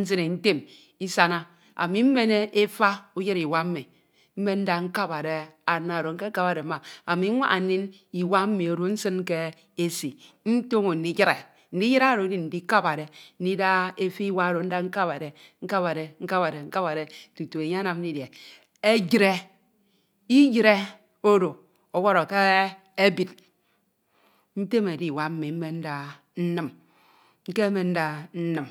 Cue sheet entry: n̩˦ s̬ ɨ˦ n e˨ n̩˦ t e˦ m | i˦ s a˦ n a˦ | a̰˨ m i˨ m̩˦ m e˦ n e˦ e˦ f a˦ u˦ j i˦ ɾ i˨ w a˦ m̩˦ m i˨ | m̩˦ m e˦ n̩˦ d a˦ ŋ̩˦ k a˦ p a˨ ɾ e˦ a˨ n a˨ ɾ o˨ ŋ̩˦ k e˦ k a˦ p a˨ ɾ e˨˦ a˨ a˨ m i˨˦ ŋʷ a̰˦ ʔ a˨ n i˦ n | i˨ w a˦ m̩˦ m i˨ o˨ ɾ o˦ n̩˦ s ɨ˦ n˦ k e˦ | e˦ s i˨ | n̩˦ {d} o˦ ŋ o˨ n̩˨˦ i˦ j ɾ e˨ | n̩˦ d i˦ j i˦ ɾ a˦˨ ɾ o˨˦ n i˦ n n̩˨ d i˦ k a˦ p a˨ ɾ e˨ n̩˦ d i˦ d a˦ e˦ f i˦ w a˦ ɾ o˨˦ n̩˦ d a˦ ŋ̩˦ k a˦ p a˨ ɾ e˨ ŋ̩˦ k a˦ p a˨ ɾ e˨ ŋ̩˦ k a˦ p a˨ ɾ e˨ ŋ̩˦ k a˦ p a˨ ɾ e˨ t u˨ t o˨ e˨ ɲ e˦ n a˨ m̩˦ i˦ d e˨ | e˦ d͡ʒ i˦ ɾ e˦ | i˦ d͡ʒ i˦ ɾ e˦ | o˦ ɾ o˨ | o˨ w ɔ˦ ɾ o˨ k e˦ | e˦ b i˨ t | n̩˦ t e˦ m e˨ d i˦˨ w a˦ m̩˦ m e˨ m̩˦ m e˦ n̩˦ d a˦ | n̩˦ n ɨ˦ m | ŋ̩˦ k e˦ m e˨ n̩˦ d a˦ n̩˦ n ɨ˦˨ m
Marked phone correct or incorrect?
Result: incorrect